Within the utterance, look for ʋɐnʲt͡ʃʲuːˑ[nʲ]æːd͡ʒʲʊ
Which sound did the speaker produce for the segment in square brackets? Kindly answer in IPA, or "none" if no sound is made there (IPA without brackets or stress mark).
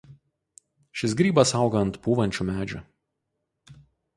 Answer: mʲ